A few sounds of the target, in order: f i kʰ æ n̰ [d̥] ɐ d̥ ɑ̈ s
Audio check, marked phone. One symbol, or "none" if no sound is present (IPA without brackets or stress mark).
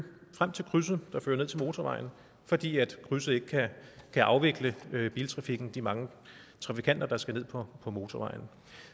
d̥